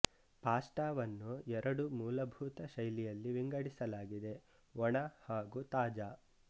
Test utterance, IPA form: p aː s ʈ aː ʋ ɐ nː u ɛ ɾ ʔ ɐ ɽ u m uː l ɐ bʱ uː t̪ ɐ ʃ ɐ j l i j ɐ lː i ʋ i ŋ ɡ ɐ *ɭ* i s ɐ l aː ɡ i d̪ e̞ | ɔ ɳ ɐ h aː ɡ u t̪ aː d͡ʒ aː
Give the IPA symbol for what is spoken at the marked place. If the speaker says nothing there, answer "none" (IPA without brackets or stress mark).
ɽ